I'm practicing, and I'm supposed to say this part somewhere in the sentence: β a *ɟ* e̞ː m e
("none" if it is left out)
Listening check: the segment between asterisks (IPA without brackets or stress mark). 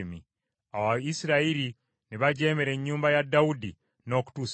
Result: ɟ